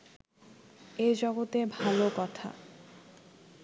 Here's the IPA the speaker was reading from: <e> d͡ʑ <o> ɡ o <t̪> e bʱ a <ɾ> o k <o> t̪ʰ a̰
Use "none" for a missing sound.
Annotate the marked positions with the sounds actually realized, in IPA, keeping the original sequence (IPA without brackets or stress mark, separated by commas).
e, ɔ, t̪, l, ɔ